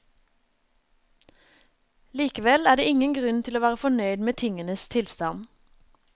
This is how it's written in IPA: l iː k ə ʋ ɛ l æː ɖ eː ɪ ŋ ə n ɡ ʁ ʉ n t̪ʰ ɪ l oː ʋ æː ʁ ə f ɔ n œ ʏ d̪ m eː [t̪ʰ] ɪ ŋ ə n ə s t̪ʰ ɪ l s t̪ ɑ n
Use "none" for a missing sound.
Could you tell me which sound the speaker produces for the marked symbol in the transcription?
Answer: t̪ʰ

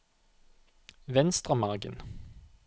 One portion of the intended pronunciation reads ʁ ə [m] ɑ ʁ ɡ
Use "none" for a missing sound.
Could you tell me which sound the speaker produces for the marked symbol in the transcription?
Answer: m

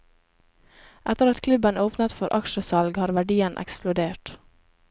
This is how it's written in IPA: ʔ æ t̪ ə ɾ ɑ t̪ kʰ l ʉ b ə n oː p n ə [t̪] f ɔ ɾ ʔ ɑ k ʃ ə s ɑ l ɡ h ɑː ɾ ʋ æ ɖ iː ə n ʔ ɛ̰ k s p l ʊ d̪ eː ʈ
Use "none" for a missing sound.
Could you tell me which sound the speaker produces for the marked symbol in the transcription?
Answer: t̪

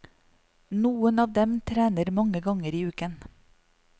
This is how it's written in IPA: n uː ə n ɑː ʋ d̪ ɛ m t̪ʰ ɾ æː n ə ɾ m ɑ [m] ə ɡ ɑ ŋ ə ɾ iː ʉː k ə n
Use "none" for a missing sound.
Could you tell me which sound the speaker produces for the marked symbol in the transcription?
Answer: ŋ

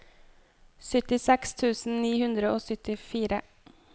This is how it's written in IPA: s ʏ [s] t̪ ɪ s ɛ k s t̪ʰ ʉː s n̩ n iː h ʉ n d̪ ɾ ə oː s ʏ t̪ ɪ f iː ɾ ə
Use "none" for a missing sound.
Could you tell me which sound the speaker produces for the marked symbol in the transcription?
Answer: none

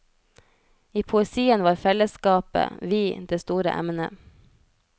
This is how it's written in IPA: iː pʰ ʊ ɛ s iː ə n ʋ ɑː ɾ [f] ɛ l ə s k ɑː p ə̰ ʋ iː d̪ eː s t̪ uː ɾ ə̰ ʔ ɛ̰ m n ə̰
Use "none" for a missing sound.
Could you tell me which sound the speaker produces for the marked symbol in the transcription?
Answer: f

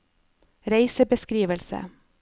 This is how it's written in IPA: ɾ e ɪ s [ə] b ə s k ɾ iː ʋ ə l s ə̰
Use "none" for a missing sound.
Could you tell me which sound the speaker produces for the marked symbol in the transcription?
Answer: ə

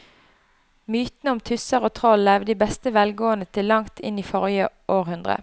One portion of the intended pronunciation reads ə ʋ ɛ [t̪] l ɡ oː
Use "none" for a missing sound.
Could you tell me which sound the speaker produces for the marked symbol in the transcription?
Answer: none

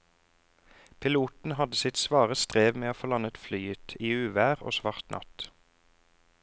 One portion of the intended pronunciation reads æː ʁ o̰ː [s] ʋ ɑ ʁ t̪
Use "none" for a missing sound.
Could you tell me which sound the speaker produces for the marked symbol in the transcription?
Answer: s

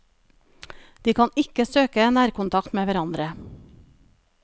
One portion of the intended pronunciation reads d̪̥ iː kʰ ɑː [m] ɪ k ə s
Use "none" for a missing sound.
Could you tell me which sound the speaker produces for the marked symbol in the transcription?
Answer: n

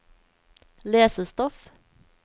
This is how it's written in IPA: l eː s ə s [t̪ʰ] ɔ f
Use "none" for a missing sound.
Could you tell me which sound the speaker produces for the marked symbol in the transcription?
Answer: t̪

